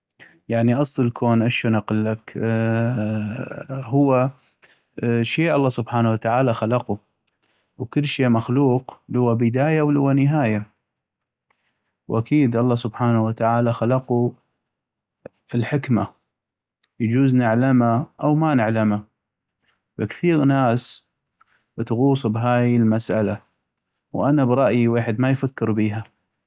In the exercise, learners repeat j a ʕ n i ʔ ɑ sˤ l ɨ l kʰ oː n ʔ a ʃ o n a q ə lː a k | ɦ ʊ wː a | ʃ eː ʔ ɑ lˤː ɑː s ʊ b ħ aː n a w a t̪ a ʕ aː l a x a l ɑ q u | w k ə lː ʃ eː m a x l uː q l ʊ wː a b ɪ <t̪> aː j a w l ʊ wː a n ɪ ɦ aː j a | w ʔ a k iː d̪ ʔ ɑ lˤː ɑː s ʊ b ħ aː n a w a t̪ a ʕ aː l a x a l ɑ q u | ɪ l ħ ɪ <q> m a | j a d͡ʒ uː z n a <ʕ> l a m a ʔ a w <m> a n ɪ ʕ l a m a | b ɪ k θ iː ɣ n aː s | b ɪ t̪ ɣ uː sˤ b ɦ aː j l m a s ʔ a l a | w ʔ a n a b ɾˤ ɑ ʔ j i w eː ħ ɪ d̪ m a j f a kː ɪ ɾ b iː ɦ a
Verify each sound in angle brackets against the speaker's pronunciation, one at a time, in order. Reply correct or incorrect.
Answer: incorrect: d̪, incorrect: k, correct, correct

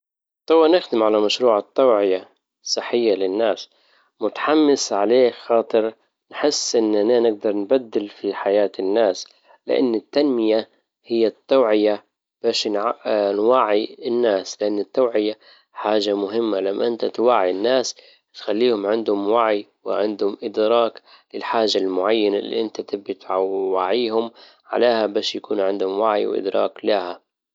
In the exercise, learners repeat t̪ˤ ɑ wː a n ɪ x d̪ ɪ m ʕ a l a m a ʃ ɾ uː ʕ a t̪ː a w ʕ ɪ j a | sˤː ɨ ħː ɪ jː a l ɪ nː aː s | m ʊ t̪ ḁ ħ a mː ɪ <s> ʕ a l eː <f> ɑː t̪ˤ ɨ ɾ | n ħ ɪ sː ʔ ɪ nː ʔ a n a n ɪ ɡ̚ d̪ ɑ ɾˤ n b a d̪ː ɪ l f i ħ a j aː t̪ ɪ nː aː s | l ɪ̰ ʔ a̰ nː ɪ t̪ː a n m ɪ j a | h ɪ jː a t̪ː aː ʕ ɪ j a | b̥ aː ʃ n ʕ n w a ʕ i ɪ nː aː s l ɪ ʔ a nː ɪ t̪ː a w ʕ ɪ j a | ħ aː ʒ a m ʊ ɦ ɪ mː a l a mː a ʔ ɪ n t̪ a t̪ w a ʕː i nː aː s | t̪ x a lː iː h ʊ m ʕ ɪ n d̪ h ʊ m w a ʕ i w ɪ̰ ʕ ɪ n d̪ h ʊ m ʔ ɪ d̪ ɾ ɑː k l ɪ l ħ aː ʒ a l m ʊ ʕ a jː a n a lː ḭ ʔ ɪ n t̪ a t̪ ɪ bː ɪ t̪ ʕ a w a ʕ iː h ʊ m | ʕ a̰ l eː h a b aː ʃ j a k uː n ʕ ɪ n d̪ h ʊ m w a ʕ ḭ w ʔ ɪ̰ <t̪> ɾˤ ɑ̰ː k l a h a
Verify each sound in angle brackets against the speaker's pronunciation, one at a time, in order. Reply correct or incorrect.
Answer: correct, incorrect: x, incorrect: d̪

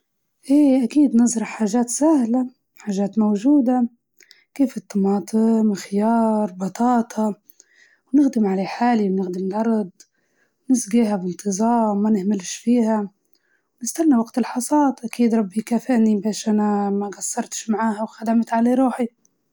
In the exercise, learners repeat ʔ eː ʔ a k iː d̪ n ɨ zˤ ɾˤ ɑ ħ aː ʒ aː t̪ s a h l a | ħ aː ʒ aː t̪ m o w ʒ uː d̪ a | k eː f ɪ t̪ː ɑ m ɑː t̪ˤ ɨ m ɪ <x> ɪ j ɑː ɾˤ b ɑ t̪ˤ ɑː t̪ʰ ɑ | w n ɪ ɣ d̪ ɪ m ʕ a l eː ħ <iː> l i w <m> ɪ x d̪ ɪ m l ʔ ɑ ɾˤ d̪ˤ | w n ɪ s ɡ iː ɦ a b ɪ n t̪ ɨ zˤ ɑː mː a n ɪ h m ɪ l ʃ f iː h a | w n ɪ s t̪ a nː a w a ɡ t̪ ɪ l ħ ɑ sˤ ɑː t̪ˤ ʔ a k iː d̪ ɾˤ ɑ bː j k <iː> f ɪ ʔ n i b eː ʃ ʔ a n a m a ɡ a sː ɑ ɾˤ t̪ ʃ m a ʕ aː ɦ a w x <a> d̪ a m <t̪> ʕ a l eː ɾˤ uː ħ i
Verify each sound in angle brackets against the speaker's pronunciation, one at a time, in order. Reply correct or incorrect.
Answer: correct, incorrect: aː, incorrect: n, incorrect: aː, correct, correct

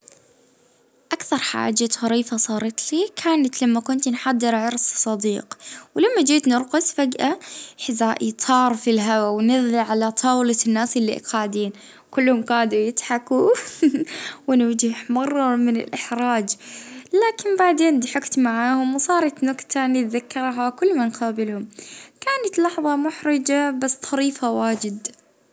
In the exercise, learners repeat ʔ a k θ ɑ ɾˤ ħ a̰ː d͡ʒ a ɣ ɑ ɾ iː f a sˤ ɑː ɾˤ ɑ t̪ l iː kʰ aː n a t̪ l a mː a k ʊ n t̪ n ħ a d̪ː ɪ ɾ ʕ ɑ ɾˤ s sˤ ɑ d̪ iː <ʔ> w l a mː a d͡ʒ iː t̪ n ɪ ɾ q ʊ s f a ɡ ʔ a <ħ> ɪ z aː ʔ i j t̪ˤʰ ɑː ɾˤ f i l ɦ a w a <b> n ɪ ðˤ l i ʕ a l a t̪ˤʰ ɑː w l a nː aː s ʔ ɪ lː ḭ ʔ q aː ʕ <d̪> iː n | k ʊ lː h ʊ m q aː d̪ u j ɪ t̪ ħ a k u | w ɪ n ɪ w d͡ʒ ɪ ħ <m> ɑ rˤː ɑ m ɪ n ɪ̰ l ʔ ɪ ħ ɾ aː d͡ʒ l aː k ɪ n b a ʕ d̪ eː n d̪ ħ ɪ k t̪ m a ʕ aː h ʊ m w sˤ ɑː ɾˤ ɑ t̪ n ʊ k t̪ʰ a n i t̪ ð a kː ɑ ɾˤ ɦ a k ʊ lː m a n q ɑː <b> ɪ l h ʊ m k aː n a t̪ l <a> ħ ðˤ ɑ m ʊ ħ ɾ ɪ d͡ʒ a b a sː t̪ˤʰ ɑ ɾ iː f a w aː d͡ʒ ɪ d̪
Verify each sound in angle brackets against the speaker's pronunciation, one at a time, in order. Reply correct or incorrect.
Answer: incorrect: q, correct, incorrect: w, correct, correct, correct, incorrect: ɑ

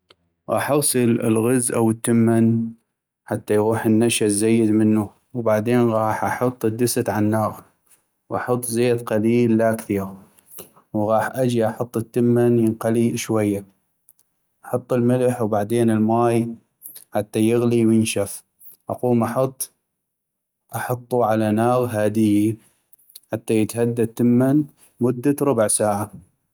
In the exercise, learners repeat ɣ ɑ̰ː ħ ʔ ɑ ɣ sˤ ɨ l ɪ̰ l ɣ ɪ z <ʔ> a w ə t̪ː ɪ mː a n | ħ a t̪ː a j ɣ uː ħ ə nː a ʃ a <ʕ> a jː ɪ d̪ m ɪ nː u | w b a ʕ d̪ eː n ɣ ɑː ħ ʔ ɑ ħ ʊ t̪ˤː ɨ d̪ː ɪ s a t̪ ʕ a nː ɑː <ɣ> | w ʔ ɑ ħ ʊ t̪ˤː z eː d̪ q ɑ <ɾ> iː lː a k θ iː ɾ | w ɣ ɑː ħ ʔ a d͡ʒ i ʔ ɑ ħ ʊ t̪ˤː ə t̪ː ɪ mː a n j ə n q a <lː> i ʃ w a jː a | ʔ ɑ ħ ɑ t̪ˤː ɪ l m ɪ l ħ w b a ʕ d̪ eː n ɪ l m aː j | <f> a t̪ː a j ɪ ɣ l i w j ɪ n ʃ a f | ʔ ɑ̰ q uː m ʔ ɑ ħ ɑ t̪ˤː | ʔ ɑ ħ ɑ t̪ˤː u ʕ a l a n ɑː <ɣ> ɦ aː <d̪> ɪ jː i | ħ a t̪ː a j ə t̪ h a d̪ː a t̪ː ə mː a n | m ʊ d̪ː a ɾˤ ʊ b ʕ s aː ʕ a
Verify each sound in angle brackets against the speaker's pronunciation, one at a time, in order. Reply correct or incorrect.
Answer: correct, incorrect: z, correct, incorrect: l, incorrect: l, incorrect: ħ, correct, correct

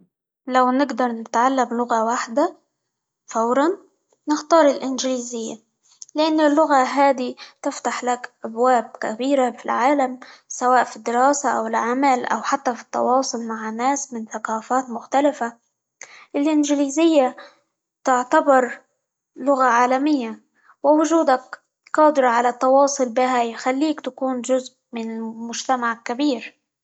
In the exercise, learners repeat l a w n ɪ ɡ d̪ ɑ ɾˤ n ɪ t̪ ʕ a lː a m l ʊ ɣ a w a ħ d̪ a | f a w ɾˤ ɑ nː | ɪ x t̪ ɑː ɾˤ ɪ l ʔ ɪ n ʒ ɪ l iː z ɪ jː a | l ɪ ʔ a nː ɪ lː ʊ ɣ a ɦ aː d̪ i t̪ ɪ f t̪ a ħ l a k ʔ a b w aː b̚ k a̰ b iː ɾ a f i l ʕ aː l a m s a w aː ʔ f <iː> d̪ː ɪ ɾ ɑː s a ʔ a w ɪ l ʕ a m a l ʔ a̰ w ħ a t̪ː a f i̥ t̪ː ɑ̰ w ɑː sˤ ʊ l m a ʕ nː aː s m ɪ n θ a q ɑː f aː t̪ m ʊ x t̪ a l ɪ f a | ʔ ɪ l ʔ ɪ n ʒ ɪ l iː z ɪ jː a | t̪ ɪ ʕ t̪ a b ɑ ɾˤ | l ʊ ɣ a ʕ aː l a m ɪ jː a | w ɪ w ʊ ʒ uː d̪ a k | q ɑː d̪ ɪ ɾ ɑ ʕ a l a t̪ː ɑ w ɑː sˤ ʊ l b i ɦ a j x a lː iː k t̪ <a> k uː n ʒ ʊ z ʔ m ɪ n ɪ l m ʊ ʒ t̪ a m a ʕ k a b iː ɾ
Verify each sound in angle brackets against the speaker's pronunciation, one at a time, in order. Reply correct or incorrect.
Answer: incorrect: i, correct

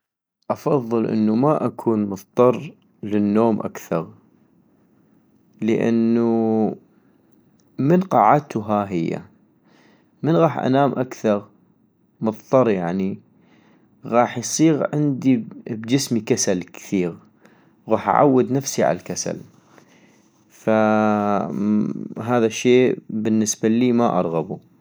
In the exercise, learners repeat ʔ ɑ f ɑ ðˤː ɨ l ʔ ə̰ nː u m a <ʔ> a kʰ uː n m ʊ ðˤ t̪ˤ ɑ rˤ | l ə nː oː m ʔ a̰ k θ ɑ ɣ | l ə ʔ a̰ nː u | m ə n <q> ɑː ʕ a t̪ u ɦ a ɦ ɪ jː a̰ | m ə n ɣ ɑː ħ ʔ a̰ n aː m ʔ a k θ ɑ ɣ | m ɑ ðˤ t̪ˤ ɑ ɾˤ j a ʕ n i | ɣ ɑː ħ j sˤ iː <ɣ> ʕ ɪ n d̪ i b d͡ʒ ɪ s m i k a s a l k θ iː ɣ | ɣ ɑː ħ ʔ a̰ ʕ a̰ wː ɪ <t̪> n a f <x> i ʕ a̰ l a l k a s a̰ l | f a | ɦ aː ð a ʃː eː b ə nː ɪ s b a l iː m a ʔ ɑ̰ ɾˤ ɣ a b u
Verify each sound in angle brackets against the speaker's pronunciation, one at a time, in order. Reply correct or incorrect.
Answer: correct, correct, correct, incorrect: d̪, incorrect: s

